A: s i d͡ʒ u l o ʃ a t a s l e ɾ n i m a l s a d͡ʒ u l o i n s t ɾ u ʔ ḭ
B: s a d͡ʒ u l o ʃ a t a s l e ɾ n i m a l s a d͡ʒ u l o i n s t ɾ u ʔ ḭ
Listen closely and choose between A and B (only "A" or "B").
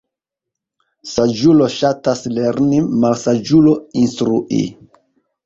B